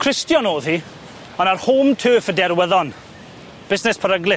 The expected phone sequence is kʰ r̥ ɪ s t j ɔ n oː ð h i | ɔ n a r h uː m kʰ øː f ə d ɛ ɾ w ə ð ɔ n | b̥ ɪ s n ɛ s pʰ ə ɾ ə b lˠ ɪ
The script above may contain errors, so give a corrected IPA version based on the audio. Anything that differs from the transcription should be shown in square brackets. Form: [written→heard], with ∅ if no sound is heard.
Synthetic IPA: kʰ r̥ ɪ s t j ɔ n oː ð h i | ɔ n a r h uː m [kʰ→tʰ] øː f ə d ɛ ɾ w ə ð ɔ n | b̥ ɪ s n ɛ s pʰ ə ɾ ə [b→ɡ] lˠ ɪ